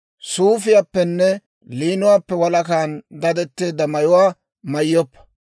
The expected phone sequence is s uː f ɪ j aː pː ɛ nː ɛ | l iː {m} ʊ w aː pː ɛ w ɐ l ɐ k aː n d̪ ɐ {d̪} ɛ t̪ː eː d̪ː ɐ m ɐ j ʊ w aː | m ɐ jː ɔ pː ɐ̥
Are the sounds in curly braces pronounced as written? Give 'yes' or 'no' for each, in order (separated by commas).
no, yes